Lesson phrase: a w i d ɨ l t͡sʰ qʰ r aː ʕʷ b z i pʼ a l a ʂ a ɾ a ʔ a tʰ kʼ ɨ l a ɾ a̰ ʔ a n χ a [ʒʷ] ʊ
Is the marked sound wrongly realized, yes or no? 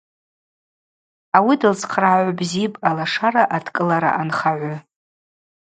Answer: yes